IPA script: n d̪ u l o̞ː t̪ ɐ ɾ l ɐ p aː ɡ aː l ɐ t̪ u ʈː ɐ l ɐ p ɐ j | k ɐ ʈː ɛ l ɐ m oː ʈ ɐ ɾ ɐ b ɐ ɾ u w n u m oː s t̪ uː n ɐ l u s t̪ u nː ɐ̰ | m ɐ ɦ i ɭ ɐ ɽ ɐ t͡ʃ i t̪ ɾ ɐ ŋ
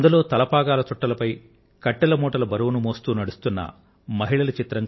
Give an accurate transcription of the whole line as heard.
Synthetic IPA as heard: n d̪ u l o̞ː t̪ ɐ l ɐ p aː ɡ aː l ɐ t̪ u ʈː ɐ l ɐ p ɐ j | k ɐ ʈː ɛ l ɐ m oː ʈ ɐ l ɐ b ɐ ɾ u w n u m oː s t̪ uː n ɐ ɽ u s t̪ u nː ɐ̰ | m ɐ ɦ i ɭ ɐ l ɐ t͡ʃ i t̪ ɾ ɐ ŋ

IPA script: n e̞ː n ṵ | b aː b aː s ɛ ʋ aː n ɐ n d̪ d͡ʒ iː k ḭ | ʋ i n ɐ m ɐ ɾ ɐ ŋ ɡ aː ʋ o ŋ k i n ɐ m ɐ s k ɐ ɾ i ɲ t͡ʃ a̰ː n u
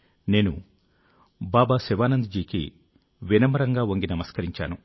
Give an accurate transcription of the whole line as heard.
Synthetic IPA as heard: n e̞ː n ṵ | b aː b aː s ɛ ʋ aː n ɐ n d̪ d͡ʒ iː k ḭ | ʋ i n ɐ m ɐ ɾ ɐ ŋ ɡ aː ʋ o ŋ ɡ i n ɐ m ɐ s k ɐ ɾ i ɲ t͡ʃ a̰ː n u

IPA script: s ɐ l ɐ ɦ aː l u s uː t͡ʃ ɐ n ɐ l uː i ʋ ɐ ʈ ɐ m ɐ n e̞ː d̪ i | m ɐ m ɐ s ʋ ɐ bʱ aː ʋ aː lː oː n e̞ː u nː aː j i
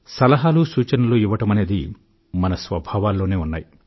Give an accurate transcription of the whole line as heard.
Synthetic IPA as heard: s ɐ l ɐ ɦ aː l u s uː t͡ʃ ɐ n ɐ l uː i ʋ ɐ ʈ ɐ m ɐ n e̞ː d̪ i | m ɐ n ɐ s ʋ ɐ bʱ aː ʋ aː lː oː n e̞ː u nː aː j i

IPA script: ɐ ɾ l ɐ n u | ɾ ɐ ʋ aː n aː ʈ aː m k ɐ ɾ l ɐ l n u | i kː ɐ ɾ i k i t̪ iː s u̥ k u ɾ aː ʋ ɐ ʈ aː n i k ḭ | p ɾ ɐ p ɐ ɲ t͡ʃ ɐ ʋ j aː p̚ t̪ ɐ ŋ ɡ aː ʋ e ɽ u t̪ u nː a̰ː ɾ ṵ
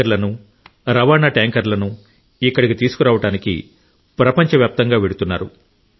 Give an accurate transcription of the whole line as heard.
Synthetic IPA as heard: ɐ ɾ l ɐ n u | ɾ ɐ ʋ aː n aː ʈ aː ŋ k ɐ ɾ l ɐ n u | i kː ɐ ɽ i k i t̪ iː s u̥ k u ɾ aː ʋ ɐ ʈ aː n i k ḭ | p ɾ ɐ p ɐ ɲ t͡ʃ ɐ ʋ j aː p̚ t̪ ɐ ŋ ɡ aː ʋ e ɽ u t̪ u nː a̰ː ɾ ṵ

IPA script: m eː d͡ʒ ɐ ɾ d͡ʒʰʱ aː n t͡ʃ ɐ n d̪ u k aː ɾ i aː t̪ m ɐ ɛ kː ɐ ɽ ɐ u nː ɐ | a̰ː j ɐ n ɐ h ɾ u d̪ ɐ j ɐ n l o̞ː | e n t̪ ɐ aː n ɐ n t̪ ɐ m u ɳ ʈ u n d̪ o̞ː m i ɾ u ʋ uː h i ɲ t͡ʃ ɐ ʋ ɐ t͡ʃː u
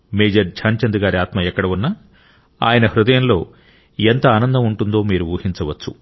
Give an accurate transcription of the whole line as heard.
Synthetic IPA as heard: m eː d͡ʒ ɐ ɾ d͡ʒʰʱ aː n t͡ʃ ɐ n d̪ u ɡ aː ɾ i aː t̪ m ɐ ɛ kː ɐ ɽ ɐ u nː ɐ | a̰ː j ɐ n ɐ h ɾ u d̪ ɐ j ɐ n l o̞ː | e n t̪ ɐ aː n ɐ n d̪ ɐ m u ɳ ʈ u n d̪ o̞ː m iː ɾ u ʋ uː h i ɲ t͡ʃ ɐ ʋ ɐ t͡ʃː u

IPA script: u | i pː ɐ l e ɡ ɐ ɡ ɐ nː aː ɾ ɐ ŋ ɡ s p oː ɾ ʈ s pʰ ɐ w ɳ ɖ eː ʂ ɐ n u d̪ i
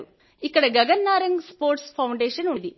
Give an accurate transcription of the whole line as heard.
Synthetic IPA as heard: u | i kː ɐ ɽ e ɡ ɐ ɡ ɐ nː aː ɾ ɐ ŋ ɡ s p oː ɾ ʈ s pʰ ɐ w ɳ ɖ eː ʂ ɐ n u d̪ i

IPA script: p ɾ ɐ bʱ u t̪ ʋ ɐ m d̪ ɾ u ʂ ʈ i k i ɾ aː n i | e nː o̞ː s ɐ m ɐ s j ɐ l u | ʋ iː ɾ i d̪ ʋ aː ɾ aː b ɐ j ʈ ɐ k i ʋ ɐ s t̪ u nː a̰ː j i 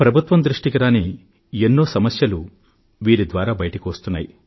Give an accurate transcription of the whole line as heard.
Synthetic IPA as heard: p ɾ ɐ bʱ u t̪ ʋ ɐ m d̪ ɾ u ʂ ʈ i k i ɾ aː n i | e nː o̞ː s ɐ m ɐ s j ɐ l u | ʋ iː ɾ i d̪ ʋ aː ɾ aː b ɐ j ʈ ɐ k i ʋ ɐ s t̪ u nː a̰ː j i

